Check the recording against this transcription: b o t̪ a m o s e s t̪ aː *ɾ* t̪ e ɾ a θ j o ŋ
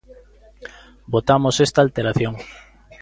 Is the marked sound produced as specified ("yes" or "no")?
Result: no